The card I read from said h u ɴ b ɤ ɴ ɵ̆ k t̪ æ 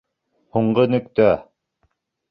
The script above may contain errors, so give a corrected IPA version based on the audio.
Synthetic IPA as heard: h u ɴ ɢ ɤ n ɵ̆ k t̪ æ